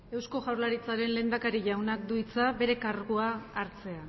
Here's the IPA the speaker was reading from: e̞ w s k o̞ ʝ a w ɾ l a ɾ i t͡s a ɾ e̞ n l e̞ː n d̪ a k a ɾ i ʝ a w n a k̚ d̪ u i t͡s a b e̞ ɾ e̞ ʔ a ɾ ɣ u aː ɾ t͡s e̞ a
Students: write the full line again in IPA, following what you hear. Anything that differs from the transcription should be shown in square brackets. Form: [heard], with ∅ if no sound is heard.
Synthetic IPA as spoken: e̞ w s k o̞ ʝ a w ɾ l a ɾ i t͡s a ɾ e̞ n l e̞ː n d̪ a k a ɾ i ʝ a w n a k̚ d̪ u i t͡s a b e̞ ɾ e̞ [k] a ɾ ɣ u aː ɾ t͡s e̞ a